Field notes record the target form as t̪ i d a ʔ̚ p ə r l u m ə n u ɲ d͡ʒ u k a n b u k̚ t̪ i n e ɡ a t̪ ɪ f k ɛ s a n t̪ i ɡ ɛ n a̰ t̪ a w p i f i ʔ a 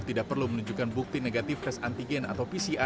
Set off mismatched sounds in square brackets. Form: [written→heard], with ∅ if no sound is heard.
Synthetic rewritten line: t̪ i d a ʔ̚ p ə r l u m ə n u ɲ d͡ʒ u k a n b u k̚ t̪ i n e ɡ a t̪ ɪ f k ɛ s a n t̪ i ɡ ɛ n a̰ t̪ a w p i [f→s] i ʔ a